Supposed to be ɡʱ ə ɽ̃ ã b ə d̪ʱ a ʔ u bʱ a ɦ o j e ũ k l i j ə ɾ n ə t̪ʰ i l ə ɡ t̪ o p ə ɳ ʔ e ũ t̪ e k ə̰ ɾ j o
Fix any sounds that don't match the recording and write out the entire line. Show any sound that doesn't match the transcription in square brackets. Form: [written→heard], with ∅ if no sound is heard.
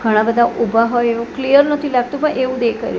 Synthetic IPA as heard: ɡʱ ə ɽ̃ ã b ə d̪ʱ a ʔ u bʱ a ɦ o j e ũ k l i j ə ɾ n ə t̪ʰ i l [ə→a] ɡ t̪ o p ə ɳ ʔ e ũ [t̪→d̪] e k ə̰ ɾ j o